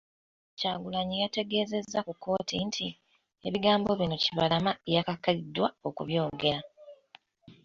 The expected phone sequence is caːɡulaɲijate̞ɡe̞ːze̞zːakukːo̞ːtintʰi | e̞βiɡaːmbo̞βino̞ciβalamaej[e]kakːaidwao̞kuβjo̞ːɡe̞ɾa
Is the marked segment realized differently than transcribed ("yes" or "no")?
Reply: yes